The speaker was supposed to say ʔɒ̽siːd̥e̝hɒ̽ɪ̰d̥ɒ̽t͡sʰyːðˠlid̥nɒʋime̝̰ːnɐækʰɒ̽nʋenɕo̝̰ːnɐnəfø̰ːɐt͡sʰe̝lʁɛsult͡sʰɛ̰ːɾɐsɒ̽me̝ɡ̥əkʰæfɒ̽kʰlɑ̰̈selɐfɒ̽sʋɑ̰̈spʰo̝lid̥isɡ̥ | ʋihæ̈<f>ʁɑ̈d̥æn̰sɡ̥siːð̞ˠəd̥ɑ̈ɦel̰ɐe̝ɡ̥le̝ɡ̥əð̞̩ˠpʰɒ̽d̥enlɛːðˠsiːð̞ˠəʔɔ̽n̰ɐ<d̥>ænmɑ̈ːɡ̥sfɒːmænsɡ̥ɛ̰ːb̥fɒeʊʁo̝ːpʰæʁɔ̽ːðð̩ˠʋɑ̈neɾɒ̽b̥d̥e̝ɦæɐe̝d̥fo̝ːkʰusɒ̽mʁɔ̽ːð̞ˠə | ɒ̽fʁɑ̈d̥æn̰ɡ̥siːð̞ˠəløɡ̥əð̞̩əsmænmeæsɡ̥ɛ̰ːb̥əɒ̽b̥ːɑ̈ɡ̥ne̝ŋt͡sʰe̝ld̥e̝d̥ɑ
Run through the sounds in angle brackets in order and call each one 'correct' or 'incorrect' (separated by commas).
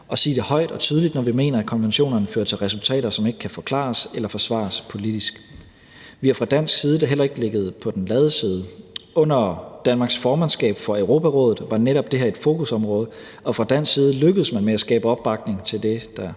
correct, correct